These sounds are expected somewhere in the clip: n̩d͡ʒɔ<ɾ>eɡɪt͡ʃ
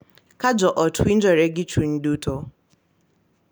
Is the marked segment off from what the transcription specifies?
no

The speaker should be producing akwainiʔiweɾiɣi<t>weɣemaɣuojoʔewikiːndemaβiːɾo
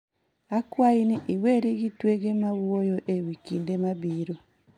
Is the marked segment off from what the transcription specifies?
no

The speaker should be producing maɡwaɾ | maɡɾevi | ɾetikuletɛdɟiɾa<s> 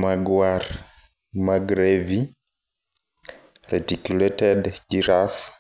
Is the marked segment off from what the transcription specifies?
yes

